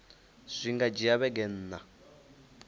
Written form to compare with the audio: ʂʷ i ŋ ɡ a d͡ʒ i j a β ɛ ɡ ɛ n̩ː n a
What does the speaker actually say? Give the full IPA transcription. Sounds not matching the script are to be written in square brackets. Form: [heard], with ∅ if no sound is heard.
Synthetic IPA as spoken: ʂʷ i ŋ ɡ a d͡ʒ i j a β ɛ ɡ ɛ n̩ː n a